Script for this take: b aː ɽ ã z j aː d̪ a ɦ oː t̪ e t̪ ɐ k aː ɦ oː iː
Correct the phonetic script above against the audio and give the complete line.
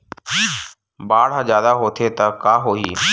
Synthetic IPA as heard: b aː ɽ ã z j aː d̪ a ɦ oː t̪ʰ e t̪ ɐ k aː ɦ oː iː